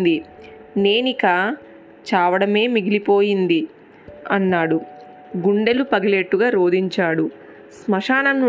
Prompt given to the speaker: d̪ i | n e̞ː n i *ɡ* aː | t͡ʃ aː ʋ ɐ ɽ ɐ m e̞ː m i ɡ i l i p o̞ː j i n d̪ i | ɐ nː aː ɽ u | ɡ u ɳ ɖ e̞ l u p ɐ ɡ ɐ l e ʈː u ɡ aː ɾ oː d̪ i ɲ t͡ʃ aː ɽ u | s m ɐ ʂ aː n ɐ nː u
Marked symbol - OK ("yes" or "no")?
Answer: no